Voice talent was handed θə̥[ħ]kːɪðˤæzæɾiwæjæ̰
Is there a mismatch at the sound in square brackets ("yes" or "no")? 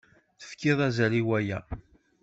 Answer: yes